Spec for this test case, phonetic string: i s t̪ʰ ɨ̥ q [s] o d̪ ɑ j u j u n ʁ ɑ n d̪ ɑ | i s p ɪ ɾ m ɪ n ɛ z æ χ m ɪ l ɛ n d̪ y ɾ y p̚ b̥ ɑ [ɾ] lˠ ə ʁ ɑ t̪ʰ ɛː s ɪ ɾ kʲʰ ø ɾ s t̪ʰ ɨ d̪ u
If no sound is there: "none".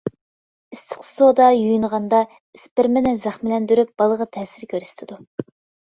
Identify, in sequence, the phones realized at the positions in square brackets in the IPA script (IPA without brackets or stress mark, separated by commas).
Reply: s, none